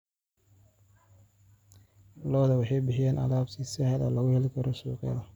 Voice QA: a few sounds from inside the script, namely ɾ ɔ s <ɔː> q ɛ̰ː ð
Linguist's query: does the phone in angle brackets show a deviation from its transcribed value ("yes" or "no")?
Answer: yes